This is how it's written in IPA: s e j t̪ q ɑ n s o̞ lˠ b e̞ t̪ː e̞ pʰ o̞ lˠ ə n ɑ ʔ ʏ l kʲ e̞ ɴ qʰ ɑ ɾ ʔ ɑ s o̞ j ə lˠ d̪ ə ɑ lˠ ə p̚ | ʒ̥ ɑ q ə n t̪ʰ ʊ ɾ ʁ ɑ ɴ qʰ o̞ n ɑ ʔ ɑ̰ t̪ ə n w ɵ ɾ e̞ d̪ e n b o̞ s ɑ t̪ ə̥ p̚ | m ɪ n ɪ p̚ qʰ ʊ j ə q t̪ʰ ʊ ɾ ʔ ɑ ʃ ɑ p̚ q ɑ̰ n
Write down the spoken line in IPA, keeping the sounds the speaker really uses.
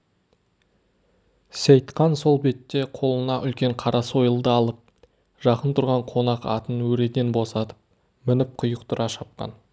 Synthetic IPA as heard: s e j t̪ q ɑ n s o̞ lˠ b e̞ t̪ː e̞ qʰ o̞ lˠ ə n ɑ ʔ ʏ l kʲ e̞ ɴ qʰ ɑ ɾ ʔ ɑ s o̞ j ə lˠ d̪ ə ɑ lˠ ə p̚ | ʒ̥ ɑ q ə n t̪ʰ ʊ ɾ ʁ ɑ ɴ qʰ o̞ n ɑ q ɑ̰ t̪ ə n w ɵ ɾ e̞ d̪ e n b o̞ s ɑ t̪ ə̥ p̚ | m ɪ n ɪ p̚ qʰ ʊ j ə q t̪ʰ ʊ ɾ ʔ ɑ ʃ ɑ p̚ q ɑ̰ n